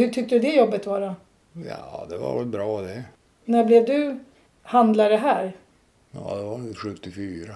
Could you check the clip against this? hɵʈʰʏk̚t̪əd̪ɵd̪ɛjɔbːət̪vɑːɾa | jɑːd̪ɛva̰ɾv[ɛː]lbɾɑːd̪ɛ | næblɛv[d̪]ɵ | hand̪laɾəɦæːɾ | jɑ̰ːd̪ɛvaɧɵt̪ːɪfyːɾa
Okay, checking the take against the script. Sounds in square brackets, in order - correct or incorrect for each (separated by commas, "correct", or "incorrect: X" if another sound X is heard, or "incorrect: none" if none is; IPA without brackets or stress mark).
incorrect: ɛ, correct